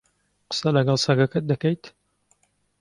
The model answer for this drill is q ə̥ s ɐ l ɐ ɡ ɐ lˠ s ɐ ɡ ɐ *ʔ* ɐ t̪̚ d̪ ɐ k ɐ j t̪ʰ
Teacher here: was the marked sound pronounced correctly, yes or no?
no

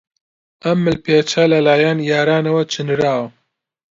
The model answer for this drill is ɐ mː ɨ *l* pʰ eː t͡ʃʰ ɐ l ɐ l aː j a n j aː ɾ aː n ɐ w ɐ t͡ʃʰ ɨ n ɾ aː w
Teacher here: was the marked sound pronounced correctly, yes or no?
yes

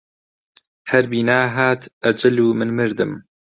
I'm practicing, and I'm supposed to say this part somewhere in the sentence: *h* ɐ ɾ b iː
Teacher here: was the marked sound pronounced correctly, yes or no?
yes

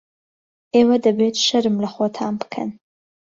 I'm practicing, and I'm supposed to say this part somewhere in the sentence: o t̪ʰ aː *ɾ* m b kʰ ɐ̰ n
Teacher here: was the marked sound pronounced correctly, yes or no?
no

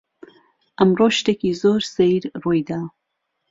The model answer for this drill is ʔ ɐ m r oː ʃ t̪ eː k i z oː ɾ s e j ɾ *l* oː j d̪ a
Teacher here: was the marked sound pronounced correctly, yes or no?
no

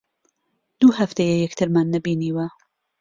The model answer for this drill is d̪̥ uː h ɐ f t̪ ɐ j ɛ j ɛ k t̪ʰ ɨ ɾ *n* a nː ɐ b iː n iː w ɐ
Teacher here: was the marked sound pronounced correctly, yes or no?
no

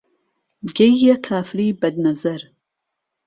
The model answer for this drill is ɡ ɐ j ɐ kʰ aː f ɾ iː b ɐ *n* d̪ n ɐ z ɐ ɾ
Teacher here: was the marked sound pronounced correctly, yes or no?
no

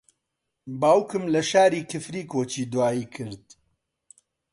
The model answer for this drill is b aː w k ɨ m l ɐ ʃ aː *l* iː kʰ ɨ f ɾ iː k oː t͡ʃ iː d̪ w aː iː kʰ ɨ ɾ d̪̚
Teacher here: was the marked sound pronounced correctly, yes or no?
no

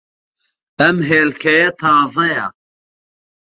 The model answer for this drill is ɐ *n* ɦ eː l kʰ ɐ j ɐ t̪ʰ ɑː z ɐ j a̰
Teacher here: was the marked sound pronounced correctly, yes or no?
no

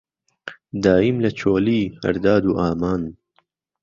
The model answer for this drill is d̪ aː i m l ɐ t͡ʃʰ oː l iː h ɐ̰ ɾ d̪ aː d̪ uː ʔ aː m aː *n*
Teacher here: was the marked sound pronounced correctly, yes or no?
yes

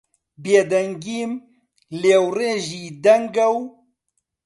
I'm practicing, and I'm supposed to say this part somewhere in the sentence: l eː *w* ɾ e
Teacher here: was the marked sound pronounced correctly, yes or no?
yes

